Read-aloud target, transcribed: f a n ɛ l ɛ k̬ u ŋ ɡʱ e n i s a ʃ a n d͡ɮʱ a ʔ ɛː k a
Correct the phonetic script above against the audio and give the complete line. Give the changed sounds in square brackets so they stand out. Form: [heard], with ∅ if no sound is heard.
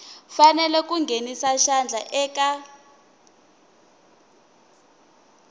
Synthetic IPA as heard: f a n ɛ l ɛ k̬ u ŋ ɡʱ e n i s a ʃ a n d͡ɮʱ a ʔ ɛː k a